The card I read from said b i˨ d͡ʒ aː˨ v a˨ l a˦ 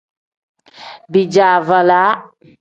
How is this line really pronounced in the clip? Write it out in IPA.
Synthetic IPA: b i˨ d͡ʒ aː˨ v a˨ l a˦